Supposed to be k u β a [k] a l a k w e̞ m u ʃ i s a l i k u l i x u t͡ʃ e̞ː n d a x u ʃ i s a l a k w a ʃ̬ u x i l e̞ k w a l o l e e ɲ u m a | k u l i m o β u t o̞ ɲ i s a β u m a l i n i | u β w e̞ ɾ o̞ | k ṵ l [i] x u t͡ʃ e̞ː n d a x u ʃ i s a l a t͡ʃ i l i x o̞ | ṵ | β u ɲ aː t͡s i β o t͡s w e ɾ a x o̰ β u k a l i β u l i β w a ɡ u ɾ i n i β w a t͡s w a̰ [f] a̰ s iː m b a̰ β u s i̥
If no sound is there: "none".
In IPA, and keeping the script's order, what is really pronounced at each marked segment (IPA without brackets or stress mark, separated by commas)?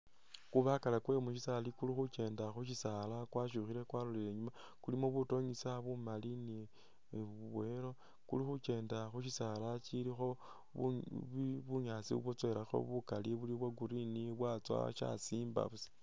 k, i, ʃ